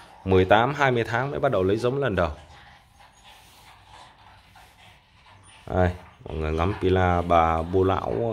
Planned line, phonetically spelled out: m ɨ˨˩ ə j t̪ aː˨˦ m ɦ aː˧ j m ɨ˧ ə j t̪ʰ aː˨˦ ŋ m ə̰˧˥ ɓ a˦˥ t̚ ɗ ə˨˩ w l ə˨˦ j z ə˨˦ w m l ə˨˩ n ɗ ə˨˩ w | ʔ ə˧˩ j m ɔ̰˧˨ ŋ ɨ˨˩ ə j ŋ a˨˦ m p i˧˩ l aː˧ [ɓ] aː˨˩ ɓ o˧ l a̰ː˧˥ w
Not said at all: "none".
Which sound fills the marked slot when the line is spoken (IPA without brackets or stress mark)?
ɓ